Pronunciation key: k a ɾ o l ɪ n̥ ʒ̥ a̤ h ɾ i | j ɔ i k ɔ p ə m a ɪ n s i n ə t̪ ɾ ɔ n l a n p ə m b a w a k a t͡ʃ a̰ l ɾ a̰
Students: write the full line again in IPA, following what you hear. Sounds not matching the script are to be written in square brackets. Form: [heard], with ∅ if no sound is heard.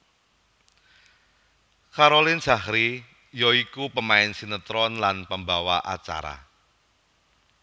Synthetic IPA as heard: k a ɾ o l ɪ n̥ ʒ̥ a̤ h ɾ i | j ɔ i k [u] p ə m a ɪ n s i n ə t̪ ɾ ɔ n l a n p ə m b a w a [ʔ] a t͡ʃ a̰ [∅] ɾ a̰